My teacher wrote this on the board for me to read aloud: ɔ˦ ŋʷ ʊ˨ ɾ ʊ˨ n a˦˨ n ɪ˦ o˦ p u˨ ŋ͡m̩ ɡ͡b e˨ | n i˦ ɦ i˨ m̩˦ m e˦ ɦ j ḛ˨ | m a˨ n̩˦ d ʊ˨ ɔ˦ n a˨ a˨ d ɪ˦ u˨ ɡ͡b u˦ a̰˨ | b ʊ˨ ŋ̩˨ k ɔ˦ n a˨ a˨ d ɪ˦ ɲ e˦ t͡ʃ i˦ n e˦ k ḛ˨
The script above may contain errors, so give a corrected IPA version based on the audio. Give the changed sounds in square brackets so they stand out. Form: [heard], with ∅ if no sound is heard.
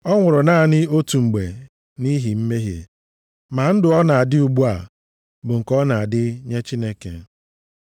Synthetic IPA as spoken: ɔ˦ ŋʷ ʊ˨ ɾ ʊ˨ n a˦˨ n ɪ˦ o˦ [t] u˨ ŋ͡m̩ ɡ͡b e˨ | n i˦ ɦ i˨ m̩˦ m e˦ ɦ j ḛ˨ | m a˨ n̩˦ d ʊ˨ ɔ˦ n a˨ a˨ d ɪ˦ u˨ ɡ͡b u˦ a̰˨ | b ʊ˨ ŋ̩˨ k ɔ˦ n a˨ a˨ d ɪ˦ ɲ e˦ t͡ʃ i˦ n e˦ k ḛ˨